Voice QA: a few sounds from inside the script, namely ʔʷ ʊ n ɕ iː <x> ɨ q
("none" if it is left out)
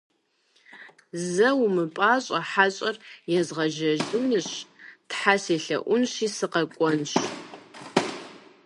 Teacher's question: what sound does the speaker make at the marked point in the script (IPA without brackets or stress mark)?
s